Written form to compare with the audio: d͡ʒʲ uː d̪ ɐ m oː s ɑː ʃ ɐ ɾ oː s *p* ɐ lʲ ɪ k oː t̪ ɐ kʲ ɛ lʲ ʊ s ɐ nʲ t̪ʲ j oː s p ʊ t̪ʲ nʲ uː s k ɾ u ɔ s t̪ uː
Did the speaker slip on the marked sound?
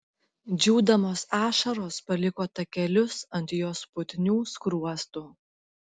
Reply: no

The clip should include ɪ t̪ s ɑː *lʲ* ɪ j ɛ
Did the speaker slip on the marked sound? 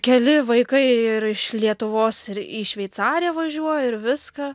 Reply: yes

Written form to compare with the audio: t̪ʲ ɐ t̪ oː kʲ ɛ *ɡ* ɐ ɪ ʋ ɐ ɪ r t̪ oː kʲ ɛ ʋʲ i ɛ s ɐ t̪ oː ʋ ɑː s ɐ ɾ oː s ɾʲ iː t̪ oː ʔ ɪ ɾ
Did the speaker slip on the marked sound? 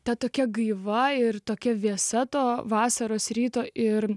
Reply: no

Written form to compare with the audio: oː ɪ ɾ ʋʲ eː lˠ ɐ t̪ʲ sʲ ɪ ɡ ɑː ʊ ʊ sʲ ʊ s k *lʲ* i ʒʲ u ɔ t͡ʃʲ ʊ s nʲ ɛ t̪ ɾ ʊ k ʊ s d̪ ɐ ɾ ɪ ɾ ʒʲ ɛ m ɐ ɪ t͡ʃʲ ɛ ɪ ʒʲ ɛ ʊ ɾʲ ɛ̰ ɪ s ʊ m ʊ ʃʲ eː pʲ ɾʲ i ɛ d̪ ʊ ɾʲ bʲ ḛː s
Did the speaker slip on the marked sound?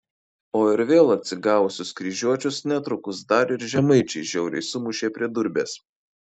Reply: yes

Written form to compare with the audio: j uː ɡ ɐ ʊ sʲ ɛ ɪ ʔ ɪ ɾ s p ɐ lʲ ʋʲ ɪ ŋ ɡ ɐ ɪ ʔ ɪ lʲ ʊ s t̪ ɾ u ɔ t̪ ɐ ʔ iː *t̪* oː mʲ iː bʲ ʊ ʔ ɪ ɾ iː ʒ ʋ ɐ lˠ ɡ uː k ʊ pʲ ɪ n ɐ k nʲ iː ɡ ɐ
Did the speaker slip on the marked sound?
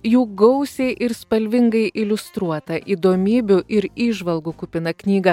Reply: yes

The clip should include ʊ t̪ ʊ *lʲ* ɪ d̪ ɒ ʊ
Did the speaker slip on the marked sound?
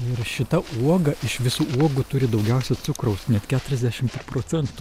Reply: yes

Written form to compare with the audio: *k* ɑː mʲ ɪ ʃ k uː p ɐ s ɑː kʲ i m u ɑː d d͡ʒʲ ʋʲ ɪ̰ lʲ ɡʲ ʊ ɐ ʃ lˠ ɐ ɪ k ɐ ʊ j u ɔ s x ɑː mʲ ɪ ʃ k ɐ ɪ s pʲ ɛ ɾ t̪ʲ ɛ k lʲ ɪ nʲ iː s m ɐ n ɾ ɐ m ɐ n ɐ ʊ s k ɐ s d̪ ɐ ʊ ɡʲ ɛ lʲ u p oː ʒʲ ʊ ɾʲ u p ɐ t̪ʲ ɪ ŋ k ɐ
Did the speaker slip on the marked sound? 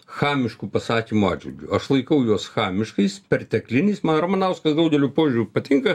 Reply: yes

